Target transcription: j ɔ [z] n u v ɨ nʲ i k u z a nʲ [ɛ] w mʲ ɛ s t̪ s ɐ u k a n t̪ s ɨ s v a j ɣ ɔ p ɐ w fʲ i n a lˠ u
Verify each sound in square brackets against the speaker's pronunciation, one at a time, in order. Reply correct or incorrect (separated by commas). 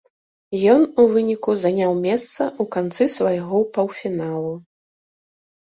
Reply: incorrect, incorrect